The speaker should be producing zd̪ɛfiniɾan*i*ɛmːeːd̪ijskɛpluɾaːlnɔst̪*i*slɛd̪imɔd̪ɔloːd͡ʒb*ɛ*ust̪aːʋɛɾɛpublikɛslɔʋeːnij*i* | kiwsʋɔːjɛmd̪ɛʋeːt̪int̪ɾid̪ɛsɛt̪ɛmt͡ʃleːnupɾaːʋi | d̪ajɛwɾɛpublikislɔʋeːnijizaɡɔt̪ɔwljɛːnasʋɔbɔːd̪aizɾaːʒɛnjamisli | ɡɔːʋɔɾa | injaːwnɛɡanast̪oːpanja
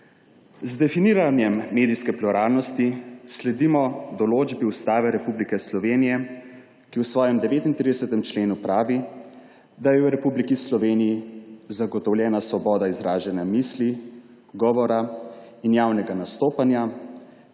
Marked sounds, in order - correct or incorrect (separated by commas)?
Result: incorrect, correct, incorrect, incorrect